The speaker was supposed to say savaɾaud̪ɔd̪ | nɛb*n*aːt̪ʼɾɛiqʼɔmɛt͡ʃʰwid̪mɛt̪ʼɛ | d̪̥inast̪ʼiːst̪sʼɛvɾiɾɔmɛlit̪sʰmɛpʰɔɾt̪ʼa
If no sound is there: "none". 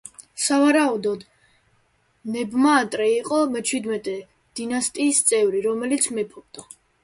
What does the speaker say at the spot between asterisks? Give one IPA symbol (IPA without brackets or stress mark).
m